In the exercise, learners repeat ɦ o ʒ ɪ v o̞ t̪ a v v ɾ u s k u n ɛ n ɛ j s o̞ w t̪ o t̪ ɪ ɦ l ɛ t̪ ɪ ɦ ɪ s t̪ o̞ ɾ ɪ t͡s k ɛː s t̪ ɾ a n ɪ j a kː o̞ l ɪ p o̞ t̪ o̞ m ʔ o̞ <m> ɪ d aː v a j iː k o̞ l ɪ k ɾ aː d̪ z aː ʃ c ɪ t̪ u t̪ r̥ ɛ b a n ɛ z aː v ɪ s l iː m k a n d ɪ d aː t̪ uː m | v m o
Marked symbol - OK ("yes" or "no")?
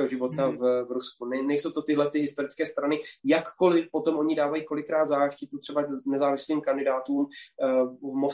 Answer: no